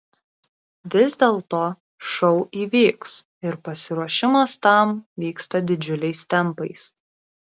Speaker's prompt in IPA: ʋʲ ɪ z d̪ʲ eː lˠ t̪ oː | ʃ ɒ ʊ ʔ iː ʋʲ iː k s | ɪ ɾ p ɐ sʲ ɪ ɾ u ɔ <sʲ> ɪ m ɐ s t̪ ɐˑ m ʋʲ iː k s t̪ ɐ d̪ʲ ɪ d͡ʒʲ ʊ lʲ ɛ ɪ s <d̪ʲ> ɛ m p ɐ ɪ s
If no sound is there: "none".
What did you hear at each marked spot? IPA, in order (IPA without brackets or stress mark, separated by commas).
ʃʲ, t̪ʲ